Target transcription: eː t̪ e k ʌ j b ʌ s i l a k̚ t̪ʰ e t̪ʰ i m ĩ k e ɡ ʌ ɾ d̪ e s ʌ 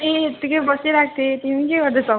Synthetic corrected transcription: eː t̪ i k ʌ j b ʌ s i ɾ a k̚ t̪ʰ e t̪ i m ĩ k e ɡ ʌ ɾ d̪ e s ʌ

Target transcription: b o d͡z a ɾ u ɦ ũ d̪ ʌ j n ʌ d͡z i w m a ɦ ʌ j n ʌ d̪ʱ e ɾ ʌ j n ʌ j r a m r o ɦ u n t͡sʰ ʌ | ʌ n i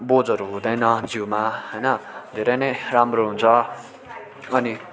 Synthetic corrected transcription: b o d͡z ʌ ɾ u ɦ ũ d̪ ʌ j n ʌ d͡z i w m a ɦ ʌ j n ʌ d̪ʱ e ɾ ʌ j n ʌ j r a m r o ɦ u n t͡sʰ ʌ | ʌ n i

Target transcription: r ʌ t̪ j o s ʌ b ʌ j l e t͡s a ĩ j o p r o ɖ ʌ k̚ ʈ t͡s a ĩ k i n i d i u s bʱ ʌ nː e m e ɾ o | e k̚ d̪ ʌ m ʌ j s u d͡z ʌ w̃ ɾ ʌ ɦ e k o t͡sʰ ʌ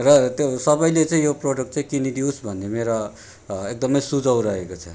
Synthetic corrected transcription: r ʌ t̪ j o s ʌ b ʌ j l e t͡s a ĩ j o p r o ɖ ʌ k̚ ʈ t͡s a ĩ k i n i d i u s bʱ ʌ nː e m e ɾ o | e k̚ d̪ ʌ m ʌ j s u d͡z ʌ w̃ ɾ ʌ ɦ e k o t͡sʰ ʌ

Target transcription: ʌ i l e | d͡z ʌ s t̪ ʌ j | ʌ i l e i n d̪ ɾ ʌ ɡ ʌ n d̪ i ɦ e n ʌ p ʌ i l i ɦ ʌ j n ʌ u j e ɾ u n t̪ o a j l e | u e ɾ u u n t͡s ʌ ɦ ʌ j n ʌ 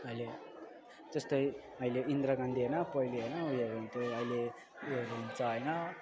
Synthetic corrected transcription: ʌ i l e | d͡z ʌ s t̪ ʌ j | ʌ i l e i n d̪ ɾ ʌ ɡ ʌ n d̪ i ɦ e n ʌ p ʌ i l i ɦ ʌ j n ʌ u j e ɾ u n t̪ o ʌ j l e | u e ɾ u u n t͡s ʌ ɦ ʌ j n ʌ

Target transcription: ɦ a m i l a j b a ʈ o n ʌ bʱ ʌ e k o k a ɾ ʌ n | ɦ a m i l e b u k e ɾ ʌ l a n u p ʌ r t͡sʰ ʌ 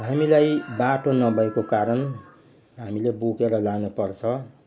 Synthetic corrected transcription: ɦ a m i l a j b a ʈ o n ʌ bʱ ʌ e k o k a ɾ ʌ n | ɦ a m i l e b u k e ɾ ʌ l a n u p ʌ r t͡sʰ ʌ

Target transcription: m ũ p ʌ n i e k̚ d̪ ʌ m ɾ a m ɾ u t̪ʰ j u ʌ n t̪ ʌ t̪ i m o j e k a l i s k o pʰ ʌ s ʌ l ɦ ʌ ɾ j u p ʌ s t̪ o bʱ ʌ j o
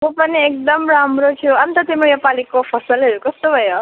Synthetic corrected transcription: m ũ p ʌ n i e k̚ d̪ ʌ m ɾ a m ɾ o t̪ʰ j u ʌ n t̪ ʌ t̪ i m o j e p a l i k o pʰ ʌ s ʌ l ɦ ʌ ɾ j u k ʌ s t̪ o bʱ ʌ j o

